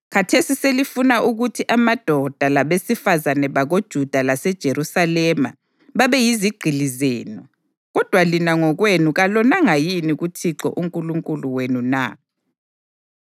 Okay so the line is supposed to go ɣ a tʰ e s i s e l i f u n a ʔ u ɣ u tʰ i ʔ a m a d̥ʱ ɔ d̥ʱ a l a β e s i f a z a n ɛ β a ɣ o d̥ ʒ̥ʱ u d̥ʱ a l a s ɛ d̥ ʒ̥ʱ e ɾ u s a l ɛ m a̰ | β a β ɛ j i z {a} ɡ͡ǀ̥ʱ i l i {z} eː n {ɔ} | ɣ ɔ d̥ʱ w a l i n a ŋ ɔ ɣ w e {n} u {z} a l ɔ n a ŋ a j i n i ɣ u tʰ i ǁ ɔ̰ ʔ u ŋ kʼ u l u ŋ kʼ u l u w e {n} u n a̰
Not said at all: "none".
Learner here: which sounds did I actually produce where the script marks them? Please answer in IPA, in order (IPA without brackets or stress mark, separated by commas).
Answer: i, z, ɔ, n, ɣ, n